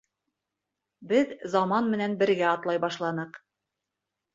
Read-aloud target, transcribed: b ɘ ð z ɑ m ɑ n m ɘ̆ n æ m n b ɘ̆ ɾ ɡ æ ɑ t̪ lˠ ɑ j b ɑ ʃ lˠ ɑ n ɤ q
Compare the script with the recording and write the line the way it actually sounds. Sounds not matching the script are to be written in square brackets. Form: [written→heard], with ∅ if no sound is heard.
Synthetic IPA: b ɘ ð z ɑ m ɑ n m ɘ̆ n æ [m→∅] n b ɘ̆ ɾ ɡ æ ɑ t̪ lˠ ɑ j b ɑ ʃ lˠ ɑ n ɤ q